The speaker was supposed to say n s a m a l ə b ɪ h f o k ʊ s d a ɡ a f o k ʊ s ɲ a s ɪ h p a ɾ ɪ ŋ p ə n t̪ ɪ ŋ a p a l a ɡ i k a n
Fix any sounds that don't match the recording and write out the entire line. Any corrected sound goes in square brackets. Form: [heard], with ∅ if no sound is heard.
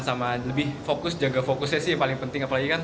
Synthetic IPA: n s a m a l ə b ɪ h f o k ʊ s [d͡ʒ] a ɡ a f o k ʊ s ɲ a s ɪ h p a [l] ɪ ŋ p ə n t̪ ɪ ŋ a p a l a ɡ i k a n